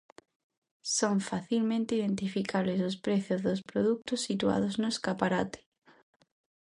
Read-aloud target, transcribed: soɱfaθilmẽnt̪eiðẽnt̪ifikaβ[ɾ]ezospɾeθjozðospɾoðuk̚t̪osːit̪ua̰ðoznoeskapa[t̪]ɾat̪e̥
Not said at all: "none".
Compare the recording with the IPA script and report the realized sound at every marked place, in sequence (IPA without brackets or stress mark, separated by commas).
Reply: l, none